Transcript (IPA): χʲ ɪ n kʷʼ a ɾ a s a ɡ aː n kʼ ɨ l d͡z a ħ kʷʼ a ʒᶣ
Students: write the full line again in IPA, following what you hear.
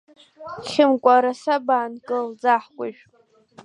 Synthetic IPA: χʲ ɪ m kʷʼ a ɾ a s a b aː n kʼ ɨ l d͡z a ħ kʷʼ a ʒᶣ